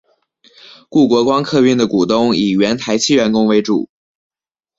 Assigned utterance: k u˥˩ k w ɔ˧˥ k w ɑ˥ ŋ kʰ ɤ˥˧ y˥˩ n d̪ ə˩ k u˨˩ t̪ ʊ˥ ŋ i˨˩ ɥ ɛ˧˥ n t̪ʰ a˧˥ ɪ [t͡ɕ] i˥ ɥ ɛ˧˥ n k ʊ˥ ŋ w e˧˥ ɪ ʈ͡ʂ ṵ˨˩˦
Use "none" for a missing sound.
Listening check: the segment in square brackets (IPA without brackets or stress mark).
t͡ɕʰ